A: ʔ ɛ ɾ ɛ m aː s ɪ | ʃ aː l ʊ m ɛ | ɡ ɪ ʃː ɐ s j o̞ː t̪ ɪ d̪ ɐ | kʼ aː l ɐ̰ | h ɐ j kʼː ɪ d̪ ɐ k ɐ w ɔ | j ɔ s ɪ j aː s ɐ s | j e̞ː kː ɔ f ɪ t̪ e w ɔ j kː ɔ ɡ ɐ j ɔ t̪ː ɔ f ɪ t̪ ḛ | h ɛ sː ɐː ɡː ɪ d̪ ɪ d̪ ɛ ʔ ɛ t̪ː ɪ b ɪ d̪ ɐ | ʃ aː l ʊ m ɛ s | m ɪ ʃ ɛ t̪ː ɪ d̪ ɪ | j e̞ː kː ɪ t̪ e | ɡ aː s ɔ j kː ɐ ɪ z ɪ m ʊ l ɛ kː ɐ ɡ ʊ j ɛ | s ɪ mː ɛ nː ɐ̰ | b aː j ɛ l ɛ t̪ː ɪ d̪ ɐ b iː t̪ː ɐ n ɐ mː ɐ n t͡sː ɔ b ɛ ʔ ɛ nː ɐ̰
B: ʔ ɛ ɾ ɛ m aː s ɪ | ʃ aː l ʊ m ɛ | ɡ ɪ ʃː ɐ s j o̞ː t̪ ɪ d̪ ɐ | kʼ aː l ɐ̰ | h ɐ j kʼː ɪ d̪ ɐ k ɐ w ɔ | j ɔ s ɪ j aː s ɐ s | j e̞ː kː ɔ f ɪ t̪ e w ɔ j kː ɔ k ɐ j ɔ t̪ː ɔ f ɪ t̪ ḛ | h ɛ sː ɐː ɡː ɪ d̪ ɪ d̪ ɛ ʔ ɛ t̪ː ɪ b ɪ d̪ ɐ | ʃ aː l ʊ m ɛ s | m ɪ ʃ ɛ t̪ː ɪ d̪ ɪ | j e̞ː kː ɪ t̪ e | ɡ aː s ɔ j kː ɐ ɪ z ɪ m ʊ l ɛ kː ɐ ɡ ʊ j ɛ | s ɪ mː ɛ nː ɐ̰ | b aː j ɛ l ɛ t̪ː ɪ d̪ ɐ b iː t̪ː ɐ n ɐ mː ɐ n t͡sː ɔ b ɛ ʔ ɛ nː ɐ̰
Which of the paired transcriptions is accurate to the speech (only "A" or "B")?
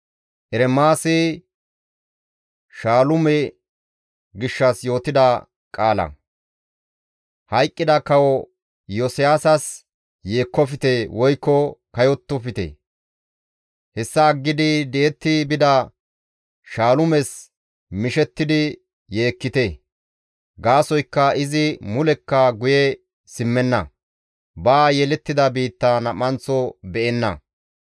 B